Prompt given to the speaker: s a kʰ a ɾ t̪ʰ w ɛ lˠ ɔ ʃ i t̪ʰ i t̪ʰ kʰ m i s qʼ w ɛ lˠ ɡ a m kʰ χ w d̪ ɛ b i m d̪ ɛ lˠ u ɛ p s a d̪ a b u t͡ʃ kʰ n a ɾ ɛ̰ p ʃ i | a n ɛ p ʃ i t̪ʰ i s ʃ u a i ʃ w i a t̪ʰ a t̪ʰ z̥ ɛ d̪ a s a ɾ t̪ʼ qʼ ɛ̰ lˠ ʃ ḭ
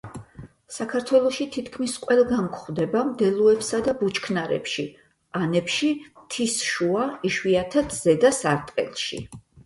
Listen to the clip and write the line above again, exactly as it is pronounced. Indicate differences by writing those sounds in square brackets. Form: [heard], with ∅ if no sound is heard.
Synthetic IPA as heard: s a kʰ a ɾ t̪ʰ w ɛ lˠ ɔ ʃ i t̪ʰ i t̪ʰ kʰ m i s qʼ w ɛ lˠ ɡ a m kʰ χ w d̪ ɛ b [a] m d̪ ɛ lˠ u ɛ p s a d̪ a b u t͡ʃ kʰ n a ɾ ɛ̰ p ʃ i | a n ɛ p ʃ i t̪ʰ i s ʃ u a i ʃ w i a t̪ʰ a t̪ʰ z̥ ɛ d̪ a s a ɾ t̪ʼ qʼ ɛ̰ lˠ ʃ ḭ